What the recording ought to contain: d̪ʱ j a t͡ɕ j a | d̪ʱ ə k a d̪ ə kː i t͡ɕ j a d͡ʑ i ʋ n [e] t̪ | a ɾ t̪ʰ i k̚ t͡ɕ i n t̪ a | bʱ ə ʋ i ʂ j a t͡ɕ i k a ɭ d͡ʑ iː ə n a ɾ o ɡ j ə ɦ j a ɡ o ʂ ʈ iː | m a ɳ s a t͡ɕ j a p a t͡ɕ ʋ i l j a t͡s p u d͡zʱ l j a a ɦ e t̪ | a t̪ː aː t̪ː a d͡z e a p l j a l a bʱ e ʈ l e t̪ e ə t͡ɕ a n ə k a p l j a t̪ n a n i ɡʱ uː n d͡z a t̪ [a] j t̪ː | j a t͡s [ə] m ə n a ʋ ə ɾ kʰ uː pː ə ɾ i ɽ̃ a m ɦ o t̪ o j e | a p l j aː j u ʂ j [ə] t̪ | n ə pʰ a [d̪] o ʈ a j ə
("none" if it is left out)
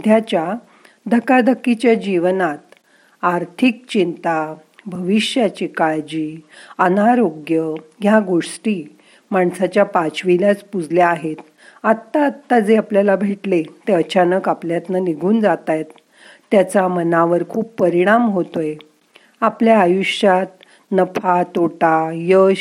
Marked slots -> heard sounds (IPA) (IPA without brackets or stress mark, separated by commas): a, a, a, a, t̪